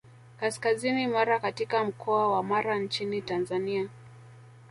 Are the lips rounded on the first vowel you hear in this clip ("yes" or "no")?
no